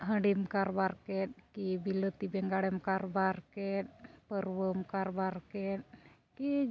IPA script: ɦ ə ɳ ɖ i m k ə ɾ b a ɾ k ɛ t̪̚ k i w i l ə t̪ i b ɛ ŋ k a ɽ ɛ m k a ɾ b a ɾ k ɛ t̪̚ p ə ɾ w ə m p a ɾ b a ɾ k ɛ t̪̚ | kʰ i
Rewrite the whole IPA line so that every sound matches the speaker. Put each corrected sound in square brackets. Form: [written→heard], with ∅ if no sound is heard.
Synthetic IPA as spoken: ɦ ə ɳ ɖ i m k [ə→a] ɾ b a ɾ k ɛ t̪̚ k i [w→b] i l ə t̪ i b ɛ ŋ [k→ɡ] a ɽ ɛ m k a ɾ b a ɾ k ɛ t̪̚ p ə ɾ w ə m [p→k] a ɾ b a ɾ k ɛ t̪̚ | [kʰ→k] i

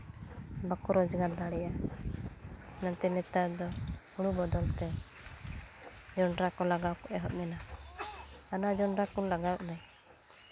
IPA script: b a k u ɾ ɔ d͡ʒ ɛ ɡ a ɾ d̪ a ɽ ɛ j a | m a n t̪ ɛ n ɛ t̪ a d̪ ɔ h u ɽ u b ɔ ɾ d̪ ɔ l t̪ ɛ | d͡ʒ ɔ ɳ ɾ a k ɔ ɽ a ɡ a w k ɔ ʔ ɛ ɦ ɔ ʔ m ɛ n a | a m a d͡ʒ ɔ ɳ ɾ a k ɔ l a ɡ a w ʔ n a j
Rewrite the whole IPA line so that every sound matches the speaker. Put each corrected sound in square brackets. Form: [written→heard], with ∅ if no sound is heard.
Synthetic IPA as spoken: b a k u ɾ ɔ d͡ʒ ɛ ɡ a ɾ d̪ a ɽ ɛ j a | [m→n] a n t̪ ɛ n ɛ t̪ a d̪ ɔ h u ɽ u b ɔ [ɾ→∅] d̪ ɔ l t̪ ɛ | d͡ʒ ɔ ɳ ɾ a k ɔ [ɽ→l] a ɡ a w k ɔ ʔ ɛ ɦ ɔ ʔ m ɛ n a | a [m→n] a d͡ʒ ɔ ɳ ɾ a k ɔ l a ɡ a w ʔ n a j

